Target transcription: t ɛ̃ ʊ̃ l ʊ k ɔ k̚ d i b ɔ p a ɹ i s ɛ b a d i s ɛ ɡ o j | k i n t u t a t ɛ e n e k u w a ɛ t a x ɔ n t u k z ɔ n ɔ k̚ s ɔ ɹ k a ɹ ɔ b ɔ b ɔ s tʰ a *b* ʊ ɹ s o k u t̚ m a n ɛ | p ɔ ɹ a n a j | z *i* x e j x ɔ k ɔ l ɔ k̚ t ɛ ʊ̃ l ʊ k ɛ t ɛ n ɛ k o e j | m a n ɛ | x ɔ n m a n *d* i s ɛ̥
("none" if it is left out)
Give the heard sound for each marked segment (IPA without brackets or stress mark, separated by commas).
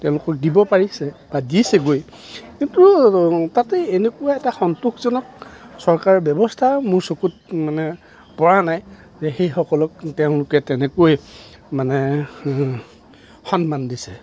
m, ɛ, d